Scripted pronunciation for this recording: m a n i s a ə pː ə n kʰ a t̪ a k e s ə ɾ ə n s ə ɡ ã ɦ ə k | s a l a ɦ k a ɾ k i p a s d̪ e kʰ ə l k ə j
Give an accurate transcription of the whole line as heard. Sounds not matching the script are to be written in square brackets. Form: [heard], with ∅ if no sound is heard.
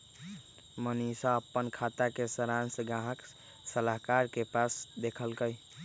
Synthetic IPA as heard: m [ə] n i s a ə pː ə n kʰ a t̪ a k e s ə ɾ [a] n s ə ɡ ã ɦ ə k | s [ə] l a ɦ k a ɾ k [e] p a s d̪ e kʰ ə l k ə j